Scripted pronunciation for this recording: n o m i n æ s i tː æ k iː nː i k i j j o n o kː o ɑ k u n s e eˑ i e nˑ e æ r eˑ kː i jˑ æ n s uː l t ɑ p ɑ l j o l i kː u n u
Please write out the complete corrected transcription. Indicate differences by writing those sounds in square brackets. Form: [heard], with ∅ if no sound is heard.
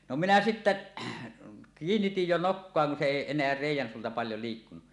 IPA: n o m i n æ s i tː æ k iː nː i [t] i j j o n o kː o ɑ k u n s e eˑ i e nˑ e æ r eˑ [∅] i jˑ æ n s uː l t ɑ p ɑ l j o l i kː u n u

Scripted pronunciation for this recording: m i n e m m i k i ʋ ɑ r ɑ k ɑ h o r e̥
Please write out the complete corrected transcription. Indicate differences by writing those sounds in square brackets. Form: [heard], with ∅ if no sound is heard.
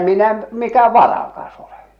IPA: m i n [æ] m m i k [æ] ʋ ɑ r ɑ k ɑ [s] o [l] e̥

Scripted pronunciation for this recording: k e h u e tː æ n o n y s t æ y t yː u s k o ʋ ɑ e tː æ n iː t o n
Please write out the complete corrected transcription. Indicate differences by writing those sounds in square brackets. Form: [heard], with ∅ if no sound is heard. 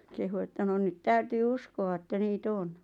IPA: k e h u e tː æ n o n y [t] t æ y t yː u s k o ʋ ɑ e tː æ n iː t o n

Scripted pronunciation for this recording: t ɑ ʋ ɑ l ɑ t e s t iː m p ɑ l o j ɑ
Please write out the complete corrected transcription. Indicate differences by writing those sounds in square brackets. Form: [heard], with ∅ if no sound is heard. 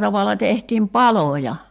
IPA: t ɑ ʋ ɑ l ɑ t e [h] t iː m p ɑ l o j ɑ

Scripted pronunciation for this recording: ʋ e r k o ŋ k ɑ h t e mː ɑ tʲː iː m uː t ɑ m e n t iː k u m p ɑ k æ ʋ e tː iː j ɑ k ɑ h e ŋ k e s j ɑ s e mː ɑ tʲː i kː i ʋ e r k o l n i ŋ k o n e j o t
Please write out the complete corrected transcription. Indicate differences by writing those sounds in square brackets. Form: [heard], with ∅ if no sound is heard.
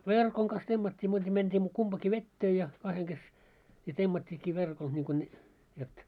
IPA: ʋ e r k o ŋ k ɑ [s] t e mː ɑ tʲː iː m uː t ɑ m e n t iː k u m p ɑ k [i] ʋ e tː [eː] j ɑ k ɑ h e ŋ k e s j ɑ [t] e mː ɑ tʲː [iː] kː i ʋ e r k o l n i ŋ k o n e j o t

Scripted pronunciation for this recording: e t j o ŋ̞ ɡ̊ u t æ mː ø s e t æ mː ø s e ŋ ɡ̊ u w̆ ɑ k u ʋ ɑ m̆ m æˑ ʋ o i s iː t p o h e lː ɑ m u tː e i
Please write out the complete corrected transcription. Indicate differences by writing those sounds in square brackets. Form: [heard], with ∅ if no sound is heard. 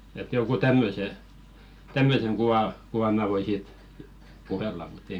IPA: e t j o ŋ̞ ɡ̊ u t æ mː ø s e t æ mː ø s e ŋ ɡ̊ u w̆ ɑ k u ʋ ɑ m̆ m æˑ ʋ o i s iː t p [u] h e lː ɑ m u tː e i

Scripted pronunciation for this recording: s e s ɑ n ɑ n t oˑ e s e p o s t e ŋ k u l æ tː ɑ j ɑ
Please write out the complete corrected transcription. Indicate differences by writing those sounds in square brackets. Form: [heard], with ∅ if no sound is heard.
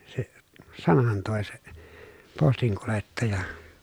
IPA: s e s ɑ n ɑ n t oˑ e s e p o s t [i] ŋ k u l [e] tː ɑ j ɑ

